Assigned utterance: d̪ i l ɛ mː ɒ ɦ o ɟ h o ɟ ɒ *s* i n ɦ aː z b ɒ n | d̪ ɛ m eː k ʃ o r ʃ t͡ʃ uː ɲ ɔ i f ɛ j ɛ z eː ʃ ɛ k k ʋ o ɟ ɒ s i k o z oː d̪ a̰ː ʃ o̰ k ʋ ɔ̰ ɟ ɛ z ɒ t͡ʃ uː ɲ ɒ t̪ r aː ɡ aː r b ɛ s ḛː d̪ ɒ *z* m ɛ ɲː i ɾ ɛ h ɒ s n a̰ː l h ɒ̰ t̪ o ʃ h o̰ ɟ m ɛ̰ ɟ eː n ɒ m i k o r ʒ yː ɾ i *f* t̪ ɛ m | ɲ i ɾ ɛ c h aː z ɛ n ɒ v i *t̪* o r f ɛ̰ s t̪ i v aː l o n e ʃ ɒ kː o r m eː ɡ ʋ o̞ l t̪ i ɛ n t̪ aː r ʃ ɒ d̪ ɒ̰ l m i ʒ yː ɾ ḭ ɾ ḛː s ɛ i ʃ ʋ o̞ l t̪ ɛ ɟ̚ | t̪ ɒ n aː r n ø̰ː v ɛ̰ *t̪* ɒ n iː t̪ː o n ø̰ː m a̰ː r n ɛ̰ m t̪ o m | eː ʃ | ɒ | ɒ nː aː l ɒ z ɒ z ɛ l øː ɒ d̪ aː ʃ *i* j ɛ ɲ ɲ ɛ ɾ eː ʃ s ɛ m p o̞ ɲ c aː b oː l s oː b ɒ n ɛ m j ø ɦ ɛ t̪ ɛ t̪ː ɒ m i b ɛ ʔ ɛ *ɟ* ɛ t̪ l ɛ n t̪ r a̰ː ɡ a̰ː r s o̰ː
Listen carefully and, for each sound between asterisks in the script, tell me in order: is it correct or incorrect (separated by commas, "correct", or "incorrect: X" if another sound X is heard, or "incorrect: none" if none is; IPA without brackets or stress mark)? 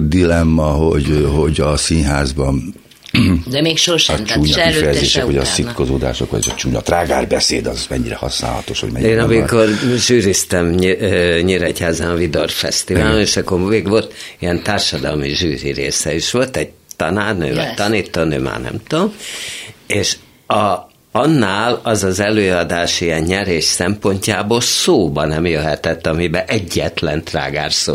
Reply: correct, correct, incorrect: s, incorrect: d̪, correct, correct, incorrect: ɟː